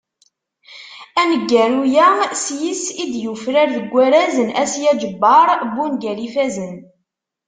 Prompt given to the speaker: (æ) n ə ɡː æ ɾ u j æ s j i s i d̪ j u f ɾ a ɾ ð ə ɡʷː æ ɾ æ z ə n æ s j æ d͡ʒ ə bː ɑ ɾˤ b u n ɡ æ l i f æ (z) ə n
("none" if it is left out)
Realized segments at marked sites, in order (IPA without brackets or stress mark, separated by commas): æ, z